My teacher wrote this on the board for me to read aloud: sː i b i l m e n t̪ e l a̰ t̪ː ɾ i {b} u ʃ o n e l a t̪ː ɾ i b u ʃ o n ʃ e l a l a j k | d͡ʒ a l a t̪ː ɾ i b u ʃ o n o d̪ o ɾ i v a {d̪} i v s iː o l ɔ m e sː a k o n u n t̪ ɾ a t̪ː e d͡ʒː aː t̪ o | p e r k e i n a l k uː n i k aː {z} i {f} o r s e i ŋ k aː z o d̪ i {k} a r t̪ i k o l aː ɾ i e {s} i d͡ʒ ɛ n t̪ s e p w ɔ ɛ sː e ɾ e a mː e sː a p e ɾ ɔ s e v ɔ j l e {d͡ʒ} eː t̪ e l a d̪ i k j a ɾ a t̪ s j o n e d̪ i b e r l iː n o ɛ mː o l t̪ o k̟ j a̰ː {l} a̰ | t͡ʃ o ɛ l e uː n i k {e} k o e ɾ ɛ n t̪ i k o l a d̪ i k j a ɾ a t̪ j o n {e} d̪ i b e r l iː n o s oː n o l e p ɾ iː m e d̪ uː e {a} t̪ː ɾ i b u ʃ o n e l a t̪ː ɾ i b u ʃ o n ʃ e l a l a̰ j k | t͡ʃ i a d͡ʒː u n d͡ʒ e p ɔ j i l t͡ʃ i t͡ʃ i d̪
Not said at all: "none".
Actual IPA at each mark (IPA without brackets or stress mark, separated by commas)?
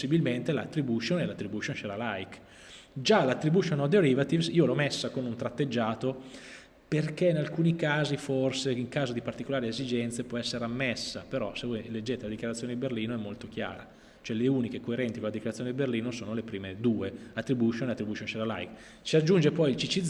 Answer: b, t̪, z, f, p, z, d͡ʒː, ɾ, e, e, a